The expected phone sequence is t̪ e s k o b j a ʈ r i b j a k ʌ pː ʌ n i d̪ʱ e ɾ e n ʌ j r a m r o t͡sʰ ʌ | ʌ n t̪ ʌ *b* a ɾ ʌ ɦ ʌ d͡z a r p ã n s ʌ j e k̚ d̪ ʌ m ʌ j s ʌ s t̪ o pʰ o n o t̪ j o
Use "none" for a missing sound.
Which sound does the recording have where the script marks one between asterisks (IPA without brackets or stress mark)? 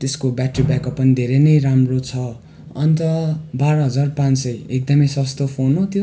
b